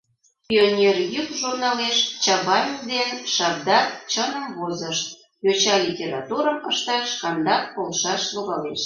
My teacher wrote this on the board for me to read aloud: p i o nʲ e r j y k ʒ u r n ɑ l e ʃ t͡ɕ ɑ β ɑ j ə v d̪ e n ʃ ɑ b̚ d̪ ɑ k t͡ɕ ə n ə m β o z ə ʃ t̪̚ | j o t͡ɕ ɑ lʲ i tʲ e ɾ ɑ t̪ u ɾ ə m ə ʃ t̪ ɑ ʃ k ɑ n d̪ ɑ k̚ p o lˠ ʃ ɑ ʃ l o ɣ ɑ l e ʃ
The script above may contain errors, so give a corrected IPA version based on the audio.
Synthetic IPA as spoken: p i o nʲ e r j y k ʒ u r n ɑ l e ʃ t͡ɕ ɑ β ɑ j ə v d̪ e n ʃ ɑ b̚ d̪ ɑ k t͡ɕ ə n ə m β o z ə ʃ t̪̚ | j o t͡ɕ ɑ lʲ i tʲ e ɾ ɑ t̪ u ɾ ə m ə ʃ t̪ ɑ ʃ k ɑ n d̪ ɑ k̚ p o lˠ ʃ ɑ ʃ l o ɣ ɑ l e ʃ